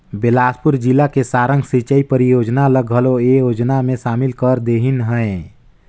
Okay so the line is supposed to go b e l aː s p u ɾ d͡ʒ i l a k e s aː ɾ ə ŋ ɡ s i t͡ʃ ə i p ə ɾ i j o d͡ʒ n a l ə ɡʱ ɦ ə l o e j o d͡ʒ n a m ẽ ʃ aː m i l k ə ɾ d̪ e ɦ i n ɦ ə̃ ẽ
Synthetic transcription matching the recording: b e l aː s p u ɾ d͡ʒ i l a k e s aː ɾ ə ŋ ɡ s i t͡ʃ ə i p ə ɾ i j o d͡ʒ n a l ə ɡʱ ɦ ə l o e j o d͡ʒ n a m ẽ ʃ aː m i l k ə ɾ d̪ e ɦ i n ɦ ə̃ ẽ